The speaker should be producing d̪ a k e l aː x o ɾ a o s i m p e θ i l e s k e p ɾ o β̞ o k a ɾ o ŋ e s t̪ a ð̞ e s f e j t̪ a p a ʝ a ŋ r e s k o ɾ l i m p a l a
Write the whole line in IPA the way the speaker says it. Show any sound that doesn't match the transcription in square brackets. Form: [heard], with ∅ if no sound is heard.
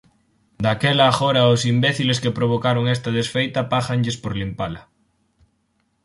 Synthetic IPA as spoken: d̪ a k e l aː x o ɾ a o s i m [b] e θ i l e s k e p ɾ o β̞ o k a ɾ o ŋ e s t̪ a ð̞ e s f e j t̪ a p a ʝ a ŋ [ʎ] e s [p] o ɾ l i m p a l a